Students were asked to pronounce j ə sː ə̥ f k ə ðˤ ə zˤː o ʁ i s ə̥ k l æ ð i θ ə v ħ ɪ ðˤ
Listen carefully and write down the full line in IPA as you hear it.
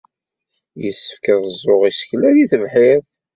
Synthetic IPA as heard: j ə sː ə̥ f k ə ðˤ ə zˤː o ʁ i s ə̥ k l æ ð i θ ə v ħ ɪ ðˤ